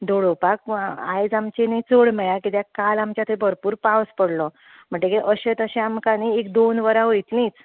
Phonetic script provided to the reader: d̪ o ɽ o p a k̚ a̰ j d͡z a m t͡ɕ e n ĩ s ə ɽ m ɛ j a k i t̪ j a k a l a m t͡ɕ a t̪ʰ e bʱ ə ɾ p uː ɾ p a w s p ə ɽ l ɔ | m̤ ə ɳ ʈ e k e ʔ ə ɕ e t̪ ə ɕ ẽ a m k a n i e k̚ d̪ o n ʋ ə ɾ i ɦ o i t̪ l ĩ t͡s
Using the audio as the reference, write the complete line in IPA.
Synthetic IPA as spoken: d̪ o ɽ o p a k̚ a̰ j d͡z a m t͡ɕ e n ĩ t͡s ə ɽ m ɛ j a k i t̪ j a k a l a m t͡ɕ a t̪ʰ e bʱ ə ɾ p uː ɾ p a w s p ə ɽ l ɔ | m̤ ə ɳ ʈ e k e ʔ ə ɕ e t̪ ə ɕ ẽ a m k a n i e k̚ d̪ o n ʋ ə ɾ a ɦ o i t̪ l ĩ t͡s